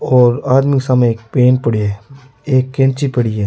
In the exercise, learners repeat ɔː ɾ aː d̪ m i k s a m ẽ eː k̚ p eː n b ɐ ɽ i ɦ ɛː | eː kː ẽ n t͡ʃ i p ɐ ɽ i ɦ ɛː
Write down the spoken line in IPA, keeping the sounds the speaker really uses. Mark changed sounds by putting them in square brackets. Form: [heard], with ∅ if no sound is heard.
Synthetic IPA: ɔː ɾ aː d̪ m i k s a m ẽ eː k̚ p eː n [p] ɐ ɽ i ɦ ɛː | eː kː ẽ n t͡ʃ i p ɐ ɽ i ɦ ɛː